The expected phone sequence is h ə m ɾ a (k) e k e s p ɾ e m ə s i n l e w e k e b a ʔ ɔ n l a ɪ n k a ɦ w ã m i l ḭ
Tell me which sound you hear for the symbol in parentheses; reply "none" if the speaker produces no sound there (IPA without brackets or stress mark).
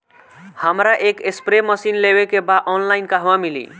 ʔ